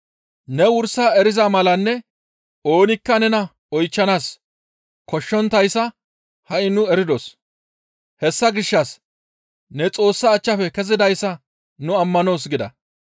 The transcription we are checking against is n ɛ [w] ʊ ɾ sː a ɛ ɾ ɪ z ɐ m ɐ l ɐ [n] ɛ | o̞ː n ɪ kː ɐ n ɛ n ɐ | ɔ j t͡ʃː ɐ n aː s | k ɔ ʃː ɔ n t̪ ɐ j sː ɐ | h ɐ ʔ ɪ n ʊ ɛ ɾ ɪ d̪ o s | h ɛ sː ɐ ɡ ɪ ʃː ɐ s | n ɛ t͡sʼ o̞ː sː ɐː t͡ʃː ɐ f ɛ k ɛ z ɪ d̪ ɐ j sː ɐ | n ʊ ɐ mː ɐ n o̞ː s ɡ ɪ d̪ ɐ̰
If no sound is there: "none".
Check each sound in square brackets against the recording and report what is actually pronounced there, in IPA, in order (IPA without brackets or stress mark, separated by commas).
w, nː